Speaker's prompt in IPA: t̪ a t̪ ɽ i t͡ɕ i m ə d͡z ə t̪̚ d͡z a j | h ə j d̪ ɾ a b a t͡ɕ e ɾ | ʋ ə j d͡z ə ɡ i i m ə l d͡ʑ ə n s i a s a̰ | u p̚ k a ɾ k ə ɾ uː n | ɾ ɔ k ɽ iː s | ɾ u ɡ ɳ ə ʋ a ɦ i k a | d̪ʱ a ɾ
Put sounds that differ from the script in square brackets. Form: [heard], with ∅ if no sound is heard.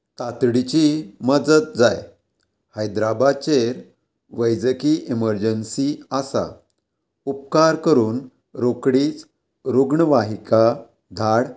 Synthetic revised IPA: t̪ a t̪ ɽ i t͡ɕ i m ə d͡z ə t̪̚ d͡z a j | h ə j d̪ ɾ a b a t͡ɕ e ɾ | ʋ ə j d͡z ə [k] i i m ə [ɾ] d͡ʑ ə n s i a s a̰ | u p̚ k a ɾ k ə ɾ uː n | ɾ [o] k ɽ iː [t͡s] | ɾ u ɡ ɳ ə ʋ a ɦ i k a | d̪ʱ a [ɽ]